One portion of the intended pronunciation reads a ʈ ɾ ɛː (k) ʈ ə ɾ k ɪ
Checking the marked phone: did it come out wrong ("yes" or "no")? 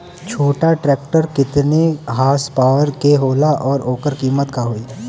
no